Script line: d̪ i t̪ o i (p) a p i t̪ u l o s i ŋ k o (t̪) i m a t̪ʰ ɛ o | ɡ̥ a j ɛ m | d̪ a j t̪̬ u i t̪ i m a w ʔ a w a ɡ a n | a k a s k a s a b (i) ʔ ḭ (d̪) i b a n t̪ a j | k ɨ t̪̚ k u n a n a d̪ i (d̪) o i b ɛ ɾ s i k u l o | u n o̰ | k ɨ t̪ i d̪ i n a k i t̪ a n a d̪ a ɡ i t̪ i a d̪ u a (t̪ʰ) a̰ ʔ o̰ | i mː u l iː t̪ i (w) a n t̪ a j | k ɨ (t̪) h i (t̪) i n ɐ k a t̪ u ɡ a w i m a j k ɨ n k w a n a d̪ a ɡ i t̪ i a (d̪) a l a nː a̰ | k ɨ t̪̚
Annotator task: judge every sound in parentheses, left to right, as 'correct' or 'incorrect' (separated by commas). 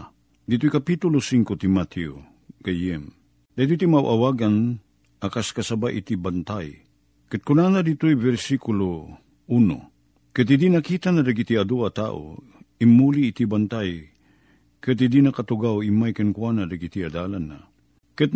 incorrect, correct, incorrect, incorrect, incorrect, incorrect, incorrect, correct, incorrect, correct